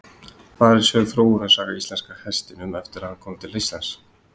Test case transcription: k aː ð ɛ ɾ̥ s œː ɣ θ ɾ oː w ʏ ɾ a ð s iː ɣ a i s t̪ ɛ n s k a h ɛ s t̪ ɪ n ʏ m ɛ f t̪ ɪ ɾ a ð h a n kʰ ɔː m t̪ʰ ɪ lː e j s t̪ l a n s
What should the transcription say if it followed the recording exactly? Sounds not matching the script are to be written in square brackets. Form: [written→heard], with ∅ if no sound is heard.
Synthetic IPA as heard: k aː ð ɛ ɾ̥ s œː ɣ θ ɾ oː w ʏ ɾ a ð s [iː→aː] ɣ a i s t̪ ɛ n s k a h ɛ s t̪ ɪ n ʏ m ɛ f t̪ ɪ ɾ a ð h a n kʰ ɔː m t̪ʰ ɪ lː e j s t̪ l a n s